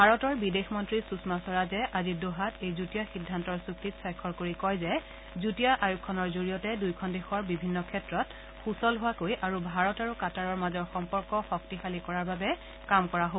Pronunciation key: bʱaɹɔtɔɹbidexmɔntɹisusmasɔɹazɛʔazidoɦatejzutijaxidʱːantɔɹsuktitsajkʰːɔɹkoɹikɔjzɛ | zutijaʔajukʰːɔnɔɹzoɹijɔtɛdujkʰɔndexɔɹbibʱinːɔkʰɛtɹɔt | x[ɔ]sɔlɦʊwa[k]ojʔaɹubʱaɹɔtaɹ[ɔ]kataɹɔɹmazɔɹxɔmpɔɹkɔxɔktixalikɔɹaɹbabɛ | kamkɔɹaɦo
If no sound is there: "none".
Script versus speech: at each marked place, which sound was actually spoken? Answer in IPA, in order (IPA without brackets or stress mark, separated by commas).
u, k, u